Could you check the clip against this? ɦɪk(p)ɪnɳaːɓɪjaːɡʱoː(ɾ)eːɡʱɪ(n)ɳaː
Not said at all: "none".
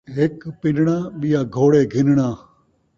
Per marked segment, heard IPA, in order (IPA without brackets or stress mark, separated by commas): p, ɽ, n